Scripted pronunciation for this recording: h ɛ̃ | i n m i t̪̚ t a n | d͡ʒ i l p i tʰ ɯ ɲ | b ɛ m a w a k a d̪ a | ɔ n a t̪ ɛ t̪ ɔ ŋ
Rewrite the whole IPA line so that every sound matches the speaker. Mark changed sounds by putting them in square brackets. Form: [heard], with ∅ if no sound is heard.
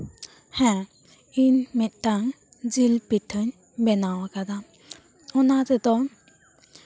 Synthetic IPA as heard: h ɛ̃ | i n m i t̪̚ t a [ŋ] | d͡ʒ i l p i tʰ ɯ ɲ | b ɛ [n] a w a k a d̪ a | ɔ n a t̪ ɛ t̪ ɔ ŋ